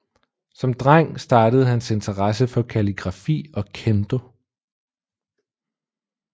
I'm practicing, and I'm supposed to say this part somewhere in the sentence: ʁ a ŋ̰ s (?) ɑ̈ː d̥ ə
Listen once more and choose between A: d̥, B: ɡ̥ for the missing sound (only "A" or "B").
A